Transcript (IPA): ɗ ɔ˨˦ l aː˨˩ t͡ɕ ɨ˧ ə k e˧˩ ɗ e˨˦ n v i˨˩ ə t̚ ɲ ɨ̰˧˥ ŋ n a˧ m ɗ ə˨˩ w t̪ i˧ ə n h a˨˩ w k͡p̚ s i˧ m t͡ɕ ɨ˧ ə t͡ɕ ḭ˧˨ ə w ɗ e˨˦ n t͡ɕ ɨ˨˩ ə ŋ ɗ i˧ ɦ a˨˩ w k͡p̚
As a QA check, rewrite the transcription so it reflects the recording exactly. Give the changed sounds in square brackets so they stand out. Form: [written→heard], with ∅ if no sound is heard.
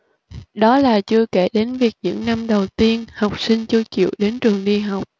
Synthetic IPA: ɗ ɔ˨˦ l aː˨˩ t͡ɕ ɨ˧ ə k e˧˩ ɗ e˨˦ n v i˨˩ ə [t̚→k̚] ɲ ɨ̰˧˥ ŋ n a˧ m ɗ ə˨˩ w t̪ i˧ ə n h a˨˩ w k͡p̚ s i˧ [m→ŋ] t͡ɕ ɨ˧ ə t͡ɕ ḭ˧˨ ə w ɗ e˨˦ n t͡ɕ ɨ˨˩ ə ŋ ɗ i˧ ɦ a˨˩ w k͡p̚